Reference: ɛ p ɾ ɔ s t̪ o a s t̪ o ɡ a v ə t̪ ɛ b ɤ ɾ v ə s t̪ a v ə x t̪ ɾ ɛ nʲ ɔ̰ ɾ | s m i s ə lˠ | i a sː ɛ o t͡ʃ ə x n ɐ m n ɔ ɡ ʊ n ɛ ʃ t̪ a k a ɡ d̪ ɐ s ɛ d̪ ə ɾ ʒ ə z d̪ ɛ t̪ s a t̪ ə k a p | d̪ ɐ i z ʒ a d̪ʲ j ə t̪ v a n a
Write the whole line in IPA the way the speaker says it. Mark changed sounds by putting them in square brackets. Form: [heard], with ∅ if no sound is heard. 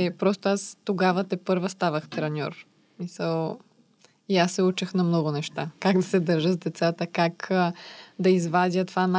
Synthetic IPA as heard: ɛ p ɾ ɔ s t̪ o a s t̪ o ɡ a v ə t̪ ɛ [p] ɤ ɾ v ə s t̪ a v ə x t̪ ɾ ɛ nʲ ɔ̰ ɾ | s m i s ə lˠ | i a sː ɛ [u] t͡ʃ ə x n ɐ m n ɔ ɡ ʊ n ɛ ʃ t̪ a k a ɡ d̪ ɐ s ɛ d̪ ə ɾ ʒ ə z d̪ ɛ t̪ s a t̪ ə k a [k] | d̪ ɐ i z [v] a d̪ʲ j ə t̪ v a n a